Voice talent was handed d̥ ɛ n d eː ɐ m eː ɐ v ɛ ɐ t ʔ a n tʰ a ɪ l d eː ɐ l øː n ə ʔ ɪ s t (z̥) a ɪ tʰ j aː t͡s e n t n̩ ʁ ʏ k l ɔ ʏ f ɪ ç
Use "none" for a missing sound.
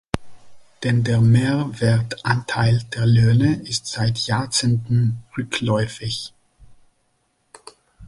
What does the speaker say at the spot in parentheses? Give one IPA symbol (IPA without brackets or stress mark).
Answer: z̥